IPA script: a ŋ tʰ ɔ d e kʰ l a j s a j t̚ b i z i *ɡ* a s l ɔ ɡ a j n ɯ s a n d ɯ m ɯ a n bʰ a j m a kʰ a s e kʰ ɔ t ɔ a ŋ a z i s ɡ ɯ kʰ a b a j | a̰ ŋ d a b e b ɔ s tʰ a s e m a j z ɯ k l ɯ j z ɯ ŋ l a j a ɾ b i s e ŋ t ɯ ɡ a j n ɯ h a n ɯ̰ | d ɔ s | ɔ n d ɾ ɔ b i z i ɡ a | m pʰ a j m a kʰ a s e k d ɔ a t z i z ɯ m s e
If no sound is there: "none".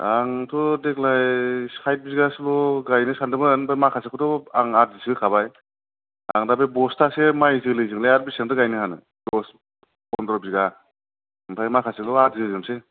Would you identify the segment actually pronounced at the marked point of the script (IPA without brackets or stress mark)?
ɡ